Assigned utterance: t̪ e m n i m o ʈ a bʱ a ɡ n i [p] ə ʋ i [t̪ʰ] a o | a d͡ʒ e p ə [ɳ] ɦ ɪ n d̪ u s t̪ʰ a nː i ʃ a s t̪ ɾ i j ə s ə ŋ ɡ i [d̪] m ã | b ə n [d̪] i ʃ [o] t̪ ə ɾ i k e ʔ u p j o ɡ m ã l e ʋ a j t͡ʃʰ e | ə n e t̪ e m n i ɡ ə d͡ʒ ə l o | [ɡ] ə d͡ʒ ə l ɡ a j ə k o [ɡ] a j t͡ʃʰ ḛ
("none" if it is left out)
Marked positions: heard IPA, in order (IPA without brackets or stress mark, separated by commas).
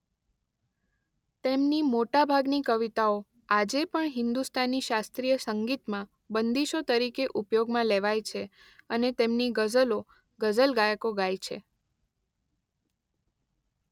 k, t̪, ɳ, t̪, d̪, o, ɡ, ɡ